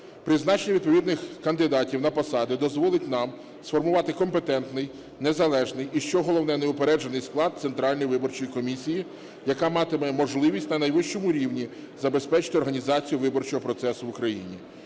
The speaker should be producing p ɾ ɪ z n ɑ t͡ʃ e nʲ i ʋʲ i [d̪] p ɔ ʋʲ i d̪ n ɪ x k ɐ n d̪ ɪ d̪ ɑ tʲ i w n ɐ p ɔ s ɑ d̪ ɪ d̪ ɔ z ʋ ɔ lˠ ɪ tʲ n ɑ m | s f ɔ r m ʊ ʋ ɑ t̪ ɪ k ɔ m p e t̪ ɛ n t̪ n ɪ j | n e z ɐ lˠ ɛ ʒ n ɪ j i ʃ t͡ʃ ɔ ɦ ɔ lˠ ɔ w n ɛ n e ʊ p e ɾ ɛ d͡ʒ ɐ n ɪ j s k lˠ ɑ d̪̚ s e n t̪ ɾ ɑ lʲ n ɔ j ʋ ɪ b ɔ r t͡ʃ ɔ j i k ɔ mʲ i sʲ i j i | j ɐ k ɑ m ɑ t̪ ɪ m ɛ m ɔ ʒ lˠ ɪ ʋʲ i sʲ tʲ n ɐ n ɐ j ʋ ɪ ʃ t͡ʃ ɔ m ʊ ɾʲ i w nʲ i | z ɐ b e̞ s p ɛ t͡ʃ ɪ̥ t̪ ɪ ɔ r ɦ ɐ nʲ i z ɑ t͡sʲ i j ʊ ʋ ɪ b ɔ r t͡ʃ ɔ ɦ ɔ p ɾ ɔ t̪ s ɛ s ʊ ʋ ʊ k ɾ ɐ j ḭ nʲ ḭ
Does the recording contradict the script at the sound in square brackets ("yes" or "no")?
no